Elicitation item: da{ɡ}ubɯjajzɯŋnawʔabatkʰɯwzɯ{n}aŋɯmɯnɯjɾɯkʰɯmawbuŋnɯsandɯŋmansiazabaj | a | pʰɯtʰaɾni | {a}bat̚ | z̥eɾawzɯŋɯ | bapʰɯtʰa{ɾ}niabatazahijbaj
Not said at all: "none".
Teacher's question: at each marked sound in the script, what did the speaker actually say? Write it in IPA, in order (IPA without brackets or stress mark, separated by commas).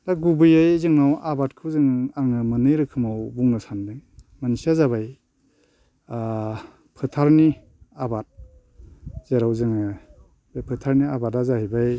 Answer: ɡ, ŋ, a, ɾ